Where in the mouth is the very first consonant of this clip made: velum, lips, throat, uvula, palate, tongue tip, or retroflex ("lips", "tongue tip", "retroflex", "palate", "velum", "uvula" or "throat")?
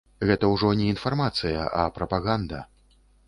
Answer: velum